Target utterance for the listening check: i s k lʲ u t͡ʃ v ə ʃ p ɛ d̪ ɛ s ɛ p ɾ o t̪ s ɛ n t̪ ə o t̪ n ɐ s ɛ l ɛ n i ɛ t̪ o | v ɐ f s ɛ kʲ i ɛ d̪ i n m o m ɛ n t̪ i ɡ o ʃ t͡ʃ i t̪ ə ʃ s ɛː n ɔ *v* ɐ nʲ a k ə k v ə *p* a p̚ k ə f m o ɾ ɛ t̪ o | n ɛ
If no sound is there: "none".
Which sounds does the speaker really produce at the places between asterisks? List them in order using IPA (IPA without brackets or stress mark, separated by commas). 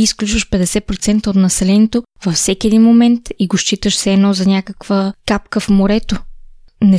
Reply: z, k